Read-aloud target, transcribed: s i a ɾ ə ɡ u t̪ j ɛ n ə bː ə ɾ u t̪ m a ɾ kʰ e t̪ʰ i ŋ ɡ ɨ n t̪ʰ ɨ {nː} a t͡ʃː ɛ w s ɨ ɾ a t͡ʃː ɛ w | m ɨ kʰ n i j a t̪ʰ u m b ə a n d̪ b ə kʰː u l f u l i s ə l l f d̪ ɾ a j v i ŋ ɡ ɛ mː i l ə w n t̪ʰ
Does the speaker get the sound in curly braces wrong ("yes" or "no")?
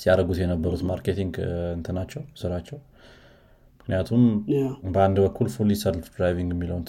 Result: yes